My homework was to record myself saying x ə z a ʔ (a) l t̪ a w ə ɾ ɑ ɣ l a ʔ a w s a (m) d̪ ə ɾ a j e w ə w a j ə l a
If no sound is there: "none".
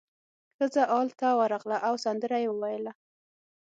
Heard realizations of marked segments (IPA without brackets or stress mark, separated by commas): ɑ, n